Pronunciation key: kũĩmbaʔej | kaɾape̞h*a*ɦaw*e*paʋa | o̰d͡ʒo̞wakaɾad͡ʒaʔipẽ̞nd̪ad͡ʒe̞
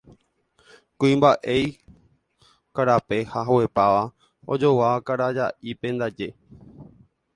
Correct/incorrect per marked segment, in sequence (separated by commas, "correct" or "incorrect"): correct, correct